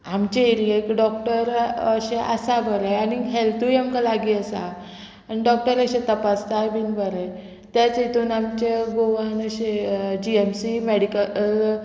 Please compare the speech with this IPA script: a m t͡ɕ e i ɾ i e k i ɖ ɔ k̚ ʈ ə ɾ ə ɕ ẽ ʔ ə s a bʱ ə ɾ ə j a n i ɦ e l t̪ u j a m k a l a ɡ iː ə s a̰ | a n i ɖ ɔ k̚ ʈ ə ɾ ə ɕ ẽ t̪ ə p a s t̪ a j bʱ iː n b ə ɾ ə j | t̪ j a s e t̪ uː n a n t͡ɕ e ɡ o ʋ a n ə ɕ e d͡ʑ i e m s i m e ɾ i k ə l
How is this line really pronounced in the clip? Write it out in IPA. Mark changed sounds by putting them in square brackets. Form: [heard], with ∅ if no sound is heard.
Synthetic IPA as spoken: a m t͡ɕ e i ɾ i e k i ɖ ɔ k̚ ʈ ə ɾ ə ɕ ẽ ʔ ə s a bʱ ə ɾ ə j a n i ɦ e l t̪ u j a m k a l a ɡ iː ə s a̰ | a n i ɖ ɔ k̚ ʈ ə ɾ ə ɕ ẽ t̪ ə p a s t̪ a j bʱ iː n b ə ɾ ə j | t̪ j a [t͡s] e t̪ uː n a [m] t͡ɕ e ɡ o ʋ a n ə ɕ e d͡ʑ i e m s i m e [ɽ] i k ə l